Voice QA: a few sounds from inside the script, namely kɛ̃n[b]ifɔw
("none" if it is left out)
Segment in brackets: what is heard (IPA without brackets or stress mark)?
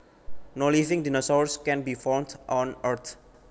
b